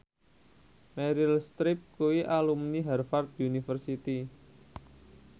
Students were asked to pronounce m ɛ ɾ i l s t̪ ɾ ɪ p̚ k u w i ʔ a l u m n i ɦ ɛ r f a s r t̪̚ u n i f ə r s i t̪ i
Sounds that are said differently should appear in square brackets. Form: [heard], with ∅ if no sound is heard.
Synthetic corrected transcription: m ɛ ɾ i l s t̪ ɾ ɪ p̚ k u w i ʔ a l u m n i ɦ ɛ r f a [∅] r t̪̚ u n i f ə r s i t̪ i